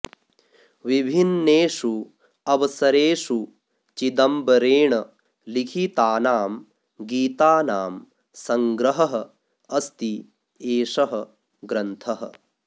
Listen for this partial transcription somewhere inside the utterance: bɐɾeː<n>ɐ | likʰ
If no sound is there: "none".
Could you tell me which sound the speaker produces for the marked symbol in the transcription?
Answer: ɳ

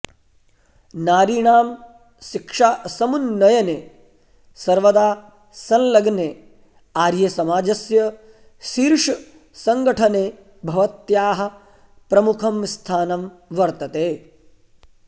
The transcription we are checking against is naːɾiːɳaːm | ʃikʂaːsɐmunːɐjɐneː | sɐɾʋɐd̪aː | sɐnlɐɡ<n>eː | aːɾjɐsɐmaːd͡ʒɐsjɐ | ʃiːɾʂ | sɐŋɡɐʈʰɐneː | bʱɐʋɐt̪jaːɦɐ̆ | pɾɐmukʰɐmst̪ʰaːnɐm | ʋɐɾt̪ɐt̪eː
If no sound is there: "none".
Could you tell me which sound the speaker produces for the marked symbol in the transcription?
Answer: n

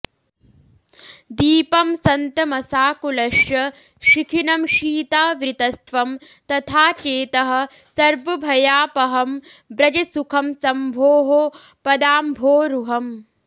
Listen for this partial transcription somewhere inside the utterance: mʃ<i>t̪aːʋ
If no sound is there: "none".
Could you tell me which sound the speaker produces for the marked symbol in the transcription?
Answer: iː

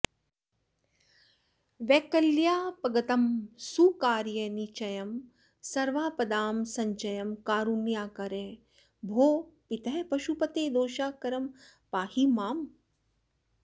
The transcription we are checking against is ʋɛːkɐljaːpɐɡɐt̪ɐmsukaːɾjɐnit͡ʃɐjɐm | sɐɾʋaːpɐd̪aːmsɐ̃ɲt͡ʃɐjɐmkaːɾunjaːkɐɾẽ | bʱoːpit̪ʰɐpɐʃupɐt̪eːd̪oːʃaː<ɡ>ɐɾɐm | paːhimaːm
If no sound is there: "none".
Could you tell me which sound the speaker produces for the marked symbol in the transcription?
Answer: k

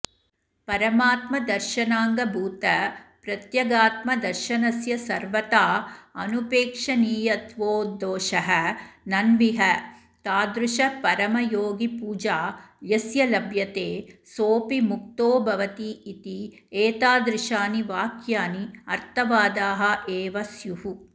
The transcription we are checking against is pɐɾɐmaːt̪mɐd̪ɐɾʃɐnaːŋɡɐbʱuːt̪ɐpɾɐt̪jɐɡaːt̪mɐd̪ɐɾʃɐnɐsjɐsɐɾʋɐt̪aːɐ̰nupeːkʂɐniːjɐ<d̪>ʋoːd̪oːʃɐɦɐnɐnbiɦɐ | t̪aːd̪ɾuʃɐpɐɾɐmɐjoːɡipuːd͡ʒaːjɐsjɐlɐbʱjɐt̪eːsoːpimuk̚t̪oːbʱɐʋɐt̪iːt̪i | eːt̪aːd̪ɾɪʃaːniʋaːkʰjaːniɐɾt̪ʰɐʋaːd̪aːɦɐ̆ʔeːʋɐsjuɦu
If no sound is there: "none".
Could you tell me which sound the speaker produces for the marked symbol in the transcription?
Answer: t̪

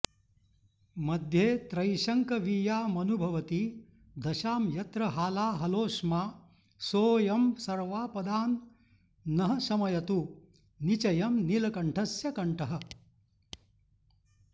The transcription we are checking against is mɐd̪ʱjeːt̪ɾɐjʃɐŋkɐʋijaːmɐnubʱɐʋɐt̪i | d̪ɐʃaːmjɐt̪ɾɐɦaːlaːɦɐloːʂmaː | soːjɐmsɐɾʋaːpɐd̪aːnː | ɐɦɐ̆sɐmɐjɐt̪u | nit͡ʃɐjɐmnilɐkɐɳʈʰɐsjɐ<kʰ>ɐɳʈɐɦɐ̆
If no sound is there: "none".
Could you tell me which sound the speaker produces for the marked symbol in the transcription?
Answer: k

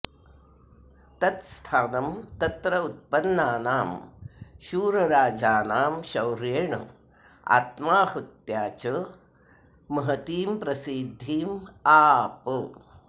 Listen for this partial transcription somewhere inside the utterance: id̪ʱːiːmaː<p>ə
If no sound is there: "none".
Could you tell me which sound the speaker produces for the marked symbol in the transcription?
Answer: p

